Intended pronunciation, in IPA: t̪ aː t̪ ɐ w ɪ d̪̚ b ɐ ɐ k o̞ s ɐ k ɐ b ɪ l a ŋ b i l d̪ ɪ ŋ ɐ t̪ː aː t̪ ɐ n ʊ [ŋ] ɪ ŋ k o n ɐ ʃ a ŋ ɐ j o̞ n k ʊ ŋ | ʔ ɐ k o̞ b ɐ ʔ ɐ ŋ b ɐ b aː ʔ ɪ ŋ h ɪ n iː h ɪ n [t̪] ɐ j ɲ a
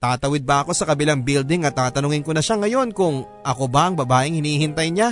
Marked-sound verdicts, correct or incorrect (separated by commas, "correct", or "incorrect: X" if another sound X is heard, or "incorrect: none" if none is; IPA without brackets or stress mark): correct, correct